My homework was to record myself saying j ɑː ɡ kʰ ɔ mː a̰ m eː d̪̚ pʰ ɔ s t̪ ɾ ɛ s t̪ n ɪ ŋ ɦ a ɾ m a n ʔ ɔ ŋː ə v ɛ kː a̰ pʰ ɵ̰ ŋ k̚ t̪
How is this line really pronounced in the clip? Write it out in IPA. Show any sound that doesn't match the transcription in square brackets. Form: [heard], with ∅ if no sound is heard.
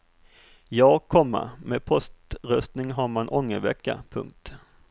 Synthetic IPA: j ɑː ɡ kʰ ɔ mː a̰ m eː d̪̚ pʰ ɔ s t̪ ɾ [œ] s t̪ n ɪ ŋ ɦ a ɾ m a n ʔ ɔ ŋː ə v ɛ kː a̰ pʰ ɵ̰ ŋ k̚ t̪